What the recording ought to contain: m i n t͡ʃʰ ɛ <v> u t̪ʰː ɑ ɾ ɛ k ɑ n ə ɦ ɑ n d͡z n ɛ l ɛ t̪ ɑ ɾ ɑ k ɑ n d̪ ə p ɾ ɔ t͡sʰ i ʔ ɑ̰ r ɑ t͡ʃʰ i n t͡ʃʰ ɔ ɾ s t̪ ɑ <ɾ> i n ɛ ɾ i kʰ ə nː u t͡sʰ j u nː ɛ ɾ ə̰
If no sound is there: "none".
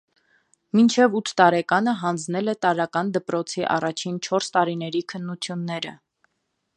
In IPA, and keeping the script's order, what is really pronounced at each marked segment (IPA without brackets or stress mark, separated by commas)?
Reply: v, ɾ